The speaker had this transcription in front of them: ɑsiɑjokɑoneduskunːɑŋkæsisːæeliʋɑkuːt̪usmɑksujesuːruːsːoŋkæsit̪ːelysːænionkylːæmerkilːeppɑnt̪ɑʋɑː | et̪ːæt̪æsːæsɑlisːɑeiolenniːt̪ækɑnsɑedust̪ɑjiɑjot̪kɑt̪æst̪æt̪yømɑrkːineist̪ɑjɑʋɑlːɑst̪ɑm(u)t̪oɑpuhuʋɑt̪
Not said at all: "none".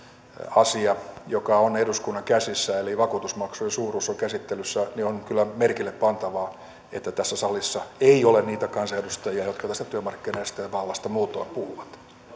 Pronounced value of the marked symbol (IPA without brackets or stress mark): uː